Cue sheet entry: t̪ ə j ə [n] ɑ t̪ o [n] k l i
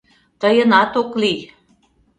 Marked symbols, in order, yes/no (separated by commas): yes, no